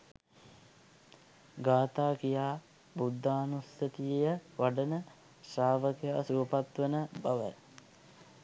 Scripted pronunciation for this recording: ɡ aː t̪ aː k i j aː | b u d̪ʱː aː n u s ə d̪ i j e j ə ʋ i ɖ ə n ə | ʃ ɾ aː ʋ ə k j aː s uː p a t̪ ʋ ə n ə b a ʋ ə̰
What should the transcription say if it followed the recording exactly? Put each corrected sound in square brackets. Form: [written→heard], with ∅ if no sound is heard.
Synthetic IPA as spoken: ɡ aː t̪ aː k i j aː | b u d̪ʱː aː n u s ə [d̪→t̪] i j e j ə ʋ [i→a] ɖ ə n ə | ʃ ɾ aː ʋ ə k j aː s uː p a t̪ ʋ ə n ə b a ʋ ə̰